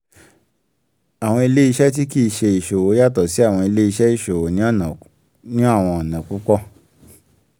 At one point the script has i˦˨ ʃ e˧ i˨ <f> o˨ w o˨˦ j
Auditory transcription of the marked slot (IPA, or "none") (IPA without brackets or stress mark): ʃ